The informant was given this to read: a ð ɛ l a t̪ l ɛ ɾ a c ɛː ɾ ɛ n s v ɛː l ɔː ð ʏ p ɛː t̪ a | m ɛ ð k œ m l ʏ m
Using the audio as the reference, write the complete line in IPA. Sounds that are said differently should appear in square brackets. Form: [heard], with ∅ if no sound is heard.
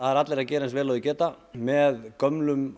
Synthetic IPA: a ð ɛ [ɾ] a t̪ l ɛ ɾ a c ɛː ɾ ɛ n s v ɛː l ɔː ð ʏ [c] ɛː t̪ a | m ɛ ð k œ m l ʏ m